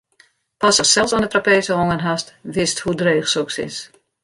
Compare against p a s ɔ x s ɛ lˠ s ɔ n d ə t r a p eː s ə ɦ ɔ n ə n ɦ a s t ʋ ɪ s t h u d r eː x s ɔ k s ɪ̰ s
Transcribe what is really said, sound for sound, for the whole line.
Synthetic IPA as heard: p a s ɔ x s ɛ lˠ s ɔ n d ə t r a p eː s ə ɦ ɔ ŋ ə n ɦ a s t ʋ ɪ s t h u d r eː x s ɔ k s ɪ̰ s